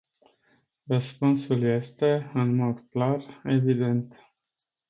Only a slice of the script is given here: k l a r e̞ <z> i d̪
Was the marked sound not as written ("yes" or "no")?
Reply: yes